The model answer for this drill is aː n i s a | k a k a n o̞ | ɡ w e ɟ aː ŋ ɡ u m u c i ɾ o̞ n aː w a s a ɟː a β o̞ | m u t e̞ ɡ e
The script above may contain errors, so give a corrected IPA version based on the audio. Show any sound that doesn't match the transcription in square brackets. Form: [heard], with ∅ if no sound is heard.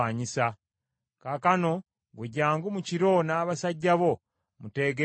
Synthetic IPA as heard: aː [ɲ] i s a | k a k a n o̞ | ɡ w e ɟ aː ŋ ɡ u m u c i ɾ o̞ n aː [β] a s a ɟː a β o̞ | m u t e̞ ɡ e